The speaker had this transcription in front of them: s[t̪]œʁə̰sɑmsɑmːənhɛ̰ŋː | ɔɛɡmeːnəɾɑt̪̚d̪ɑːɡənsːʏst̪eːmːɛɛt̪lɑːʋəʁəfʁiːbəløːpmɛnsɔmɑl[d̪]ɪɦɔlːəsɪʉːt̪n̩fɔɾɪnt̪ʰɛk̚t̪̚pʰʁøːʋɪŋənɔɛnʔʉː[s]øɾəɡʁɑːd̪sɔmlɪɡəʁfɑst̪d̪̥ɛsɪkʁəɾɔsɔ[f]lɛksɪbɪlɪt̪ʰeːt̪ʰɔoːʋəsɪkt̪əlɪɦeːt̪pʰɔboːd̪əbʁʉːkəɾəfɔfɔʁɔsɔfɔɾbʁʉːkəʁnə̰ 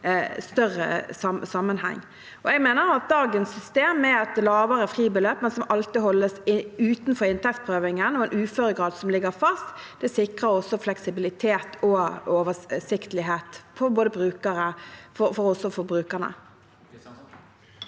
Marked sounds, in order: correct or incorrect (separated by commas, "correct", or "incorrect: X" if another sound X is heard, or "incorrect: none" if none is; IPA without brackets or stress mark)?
correct, incorrect: t̪, incorrect: f, correct